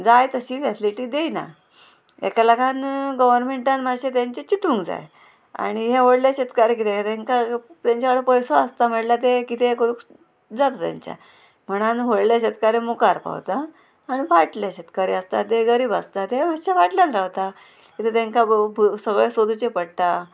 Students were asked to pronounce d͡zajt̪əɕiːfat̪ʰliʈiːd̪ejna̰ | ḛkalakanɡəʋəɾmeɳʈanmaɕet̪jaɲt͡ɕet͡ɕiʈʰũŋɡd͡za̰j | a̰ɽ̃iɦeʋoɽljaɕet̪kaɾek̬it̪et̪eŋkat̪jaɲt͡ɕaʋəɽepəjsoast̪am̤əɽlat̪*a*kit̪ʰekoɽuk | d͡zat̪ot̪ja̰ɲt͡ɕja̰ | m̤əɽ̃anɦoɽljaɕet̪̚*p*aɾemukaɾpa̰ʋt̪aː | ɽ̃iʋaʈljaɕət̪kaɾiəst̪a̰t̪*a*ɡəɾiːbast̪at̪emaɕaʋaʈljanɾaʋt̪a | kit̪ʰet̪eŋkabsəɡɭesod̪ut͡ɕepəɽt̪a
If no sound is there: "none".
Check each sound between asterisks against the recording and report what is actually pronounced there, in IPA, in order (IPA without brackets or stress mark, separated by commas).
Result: e, k, e